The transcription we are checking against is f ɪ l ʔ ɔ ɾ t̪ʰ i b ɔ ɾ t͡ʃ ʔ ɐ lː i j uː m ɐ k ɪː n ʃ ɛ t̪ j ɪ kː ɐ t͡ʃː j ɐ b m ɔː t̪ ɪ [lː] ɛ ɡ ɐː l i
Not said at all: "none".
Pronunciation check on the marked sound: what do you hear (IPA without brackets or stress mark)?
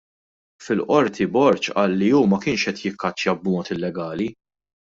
lː